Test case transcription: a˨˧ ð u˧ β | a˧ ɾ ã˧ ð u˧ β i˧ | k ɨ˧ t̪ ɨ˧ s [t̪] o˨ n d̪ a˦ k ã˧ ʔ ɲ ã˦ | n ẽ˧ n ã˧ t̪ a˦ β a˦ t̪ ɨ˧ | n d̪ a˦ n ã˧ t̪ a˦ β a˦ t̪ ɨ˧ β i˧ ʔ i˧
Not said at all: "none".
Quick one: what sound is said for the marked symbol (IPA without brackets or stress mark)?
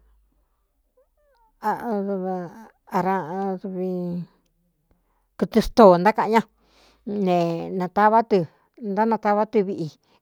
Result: t̪